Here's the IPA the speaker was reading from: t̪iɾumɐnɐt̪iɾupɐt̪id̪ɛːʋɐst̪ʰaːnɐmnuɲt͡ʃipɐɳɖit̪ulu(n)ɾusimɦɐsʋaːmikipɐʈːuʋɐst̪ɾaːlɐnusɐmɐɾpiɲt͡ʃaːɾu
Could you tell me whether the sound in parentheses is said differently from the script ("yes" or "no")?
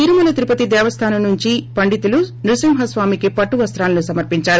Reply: no